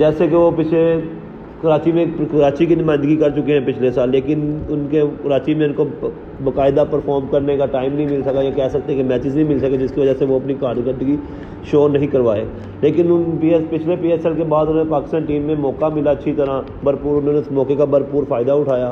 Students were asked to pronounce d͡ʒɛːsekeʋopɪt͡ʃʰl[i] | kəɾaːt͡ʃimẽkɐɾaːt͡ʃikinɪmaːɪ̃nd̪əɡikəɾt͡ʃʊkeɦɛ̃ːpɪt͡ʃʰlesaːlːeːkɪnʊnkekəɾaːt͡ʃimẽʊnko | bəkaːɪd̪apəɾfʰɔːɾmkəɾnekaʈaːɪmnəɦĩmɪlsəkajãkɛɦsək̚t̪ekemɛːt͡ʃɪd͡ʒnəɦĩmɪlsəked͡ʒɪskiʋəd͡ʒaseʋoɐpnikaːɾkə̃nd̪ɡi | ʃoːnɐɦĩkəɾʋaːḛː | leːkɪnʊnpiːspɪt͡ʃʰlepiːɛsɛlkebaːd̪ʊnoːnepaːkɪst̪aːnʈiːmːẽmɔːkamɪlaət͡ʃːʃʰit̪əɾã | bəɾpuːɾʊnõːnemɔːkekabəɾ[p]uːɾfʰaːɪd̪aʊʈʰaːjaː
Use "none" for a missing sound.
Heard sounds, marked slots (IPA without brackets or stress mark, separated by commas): e, p